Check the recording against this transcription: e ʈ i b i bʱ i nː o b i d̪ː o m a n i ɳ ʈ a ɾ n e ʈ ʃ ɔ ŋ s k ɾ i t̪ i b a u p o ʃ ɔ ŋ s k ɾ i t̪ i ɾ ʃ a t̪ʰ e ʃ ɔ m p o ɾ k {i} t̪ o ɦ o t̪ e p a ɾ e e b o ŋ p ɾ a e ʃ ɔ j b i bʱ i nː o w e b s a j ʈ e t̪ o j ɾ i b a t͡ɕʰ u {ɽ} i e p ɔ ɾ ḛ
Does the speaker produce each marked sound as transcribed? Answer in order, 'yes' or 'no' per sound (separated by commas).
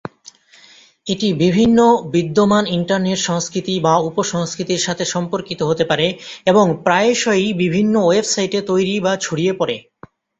yes, yes